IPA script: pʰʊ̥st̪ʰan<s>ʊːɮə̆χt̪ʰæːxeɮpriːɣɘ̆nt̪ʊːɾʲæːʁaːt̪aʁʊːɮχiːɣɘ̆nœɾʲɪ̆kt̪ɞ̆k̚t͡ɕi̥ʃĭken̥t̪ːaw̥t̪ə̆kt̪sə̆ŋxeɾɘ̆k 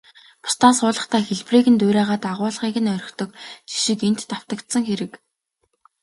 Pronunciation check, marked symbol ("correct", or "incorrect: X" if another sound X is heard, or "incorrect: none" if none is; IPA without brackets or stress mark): correct